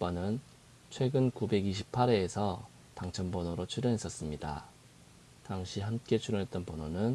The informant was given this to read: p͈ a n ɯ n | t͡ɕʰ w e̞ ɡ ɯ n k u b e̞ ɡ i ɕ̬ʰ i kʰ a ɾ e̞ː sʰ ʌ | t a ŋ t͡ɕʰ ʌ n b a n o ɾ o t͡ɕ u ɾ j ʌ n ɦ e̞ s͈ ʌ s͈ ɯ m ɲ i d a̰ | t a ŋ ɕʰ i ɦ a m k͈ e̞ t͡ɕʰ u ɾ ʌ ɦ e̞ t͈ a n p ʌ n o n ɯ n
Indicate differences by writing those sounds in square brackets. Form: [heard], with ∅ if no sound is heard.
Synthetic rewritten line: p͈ a n ɯ n | t͡ɕʰ w e̞ ɡ ɯ n k u b e̞ ɡ i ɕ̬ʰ i [pʰ] a ɾ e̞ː sʰ ʌ | t a ŋ t͡ɕʰ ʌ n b [ʌ] n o ɾ o [t͡ɕʰ] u ɾ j ʌ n ɦ e̞ s͈ ʌ s͈ ɯ m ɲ i d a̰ | t a ŋ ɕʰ i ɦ a m k͈ e̞ t͡ɕʰ u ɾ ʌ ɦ e̞ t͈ [ʌ] n p ʌ n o n ɯ n